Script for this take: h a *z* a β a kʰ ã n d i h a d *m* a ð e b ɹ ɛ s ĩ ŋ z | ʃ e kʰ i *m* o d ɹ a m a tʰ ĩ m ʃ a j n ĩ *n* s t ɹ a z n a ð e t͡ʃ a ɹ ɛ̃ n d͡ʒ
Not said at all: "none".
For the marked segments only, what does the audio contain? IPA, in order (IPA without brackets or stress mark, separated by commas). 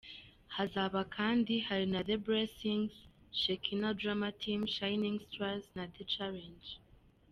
z, n, n, ŋ